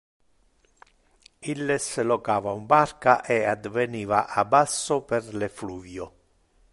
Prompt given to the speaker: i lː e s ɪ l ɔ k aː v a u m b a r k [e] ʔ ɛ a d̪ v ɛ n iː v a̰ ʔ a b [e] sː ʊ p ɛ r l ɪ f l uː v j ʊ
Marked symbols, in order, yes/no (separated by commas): no, no